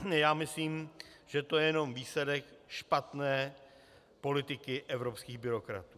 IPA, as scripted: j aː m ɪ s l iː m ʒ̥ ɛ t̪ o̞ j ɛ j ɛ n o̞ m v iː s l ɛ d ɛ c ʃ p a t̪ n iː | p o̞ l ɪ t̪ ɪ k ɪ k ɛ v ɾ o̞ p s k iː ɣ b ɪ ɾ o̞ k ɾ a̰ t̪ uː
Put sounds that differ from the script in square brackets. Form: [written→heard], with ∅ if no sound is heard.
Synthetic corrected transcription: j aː m ɪ s l iː m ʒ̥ ɛ t̪ o̞ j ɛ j ɛ n o̞ m v iː s l ɛ d ɛ [c→k] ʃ p a t̪ n [iː→ɛː] | p o̞ l ɪ t̪ ɪ k ɪ [k→ʔ] ɛ v ɾ o̞ p s k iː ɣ b ɪ ɾ o̞ k ɾ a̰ t̪ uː